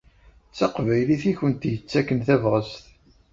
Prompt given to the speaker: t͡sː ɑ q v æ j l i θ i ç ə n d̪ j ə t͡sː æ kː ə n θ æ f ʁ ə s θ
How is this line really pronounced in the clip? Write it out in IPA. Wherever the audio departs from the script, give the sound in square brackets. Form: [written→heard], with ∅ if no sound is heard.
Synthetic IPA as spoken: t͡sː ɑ q v æ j l i θ i ç ə n [d̪→t̪] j ə t͡sː æ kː ə n θ æ [f→v] ʁ ə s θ